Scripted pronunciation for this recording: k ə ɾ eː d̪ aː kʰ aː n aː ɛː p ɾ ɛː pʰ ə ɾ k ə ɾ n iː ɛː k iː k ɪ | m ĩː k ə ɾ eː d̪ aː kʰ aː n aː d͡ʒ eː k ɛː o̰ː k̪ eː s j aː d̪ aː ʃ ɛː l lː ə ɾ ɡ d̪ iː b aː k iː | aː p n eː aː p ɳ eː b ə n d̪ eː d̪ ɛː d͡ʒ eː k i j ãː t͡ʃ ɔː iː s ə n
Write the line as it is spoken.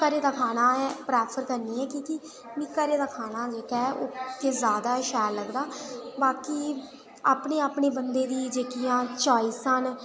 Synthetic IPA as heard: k ə ɾ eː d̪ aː kʰ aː n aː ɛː p ɾ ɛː pʰ ə ɾ k ə ɾ n iː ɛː k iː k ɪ | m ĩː k ə ɾ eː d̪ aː kʰ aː n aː d͡ʒ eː k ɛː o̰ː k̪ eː z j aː d̪ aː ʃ ɛː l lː ə ɡ d̪ aː b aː k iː | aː p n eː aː p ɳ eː b ə n d̪ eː d̪ iː d͡ʒ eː k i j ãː t͡ʃ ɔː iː s ə n